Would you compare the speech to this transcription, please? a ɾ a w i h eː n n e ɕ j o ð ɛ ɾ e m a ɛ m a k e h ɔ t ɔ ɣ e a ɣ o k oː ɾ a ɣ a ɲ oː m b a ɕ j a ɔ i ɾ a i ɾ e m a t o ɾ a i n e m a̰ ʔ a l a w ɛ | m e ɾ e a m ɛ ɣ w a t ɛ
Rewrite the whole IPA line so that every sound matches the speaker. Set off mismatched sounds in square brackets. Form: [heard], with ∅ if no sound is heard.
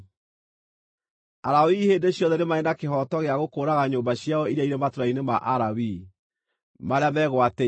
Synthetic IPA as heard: a ɾ a w i h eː n [d] e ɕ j [ɔ] ð ɛ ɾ e m a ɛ [n] a k e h ɔ t ɔ ɣ e a ɣ o k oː ɾ a ɣ a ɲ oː m b a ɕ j a ɔ i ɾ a i ɾ e m a t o ɾ a i n e m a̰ ʔ a [ɾ] a w [i] | m [a] ɾ e a m ɛ ɣ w a t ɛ